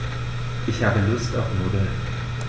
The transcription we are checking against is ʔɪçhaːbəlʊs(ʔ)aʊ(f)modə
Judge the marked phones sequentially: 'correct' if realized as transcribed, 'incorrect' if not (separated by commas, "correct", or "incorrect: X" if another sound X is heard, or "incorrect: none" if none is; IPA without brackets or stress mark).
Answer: incorrect: t, correct